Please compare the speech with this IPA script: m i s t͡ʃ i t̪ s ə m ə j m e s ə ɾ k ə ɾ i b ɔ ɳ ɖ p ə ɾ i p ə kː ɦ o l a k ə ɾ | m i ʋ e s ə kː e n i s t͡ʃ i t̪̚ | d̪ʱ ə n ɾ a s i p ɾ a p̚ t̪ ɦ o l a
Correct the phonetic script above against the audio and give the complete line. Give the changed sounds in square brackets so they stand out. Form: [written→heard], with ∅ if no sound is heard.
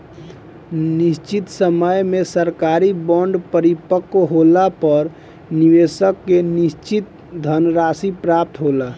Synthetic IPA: [m→n] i s t͡ʃ i t̪ s ə m ə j m e s ə ɾ k [ə→a] ɾ i b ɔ ɳ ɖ p ə ɾ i p ə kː ɦ o l a [k→p] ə ɾ | [m→n] i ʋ e s ə kː e n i s t͡ʃ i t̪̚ | d̪ʱ ə n ɾ a s i p ɾ a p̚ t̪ ɦ o l a